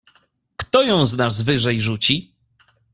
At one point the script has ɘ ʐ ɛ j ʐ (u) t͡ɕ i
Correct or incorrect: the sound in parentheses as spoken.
correct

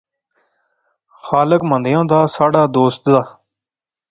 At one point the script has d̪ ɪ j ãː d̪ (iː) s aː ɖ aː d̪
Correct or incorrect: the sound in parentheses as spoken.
incorrect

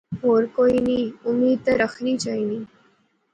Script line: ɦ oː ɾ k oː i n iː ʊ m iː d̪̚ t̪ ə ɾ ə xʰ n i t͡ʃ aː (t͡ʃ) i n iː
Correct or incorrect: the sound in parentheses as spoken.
incorrect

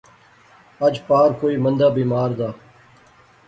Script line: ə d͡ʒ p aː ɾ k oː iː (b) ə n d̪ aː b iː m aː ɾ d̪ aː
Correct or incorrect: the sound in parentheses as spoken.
incorrect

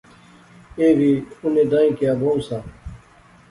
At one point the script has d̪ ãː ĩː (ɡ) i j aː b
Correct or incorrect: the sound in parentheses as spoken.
incorrect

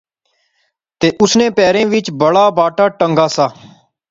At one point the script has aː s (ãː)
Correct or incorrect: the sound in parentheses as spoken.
incorrect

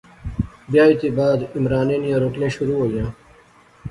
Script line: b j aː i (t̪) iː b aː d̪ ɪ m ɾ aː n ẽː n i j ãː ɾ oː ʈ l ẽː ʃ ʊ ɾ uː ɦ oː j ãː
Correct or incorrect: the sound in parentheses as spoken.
correct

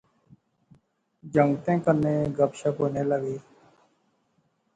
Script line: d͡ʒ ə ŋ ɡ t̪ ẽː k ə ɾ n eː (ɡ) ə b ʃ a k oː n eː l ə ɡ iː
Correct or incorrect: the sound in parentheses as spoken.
correct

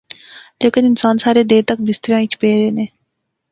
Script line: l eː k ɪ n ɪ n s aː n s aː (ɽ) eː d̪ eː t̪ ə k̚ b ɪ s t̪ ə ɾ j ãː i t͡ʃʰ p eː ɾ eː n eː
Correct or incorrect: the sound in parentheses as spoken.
incorrect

